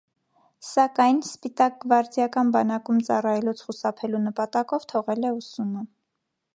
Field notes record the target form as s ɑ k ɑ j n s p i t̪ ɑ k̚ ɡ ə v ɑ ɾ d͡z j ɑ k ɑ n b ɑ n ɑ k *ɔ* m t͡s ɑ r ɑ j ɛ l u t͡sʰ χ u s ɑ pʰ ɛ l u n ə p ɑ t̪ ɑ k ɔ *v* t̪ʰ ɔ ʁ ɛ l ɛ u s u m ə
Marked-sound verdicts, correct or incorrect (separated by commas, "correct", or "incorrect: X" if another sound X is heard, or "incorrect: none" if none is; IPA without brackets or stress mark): incorrect: u, correct